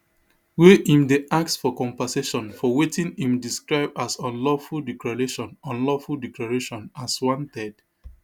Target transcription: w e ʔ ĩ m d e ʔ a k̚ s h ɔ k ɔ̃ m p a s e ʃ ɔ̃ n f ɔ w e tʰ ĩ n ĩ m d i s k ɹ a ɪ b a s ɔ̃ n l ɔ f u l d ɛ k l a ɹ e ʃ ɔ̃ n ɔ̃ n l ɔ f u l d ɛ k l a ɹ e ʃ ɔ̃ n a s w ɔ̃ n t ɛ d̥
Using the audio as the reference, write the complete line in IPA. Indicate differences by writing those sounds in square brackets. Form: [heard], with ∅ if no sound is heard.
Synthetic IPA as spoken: w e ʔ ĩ m d e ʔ a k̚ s [f] ɔ k ɔ̃ m p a s e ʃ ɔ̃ n f ɔ w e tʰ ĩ n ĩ m d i s k ɹ a ɪ b a s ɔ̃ n l ɔ f u l d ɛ k l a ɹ e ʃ ɔ̃ n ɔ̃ n l ɔ f u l d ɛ k l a ɹ e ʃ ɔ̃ n a s w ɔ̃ n t ɛ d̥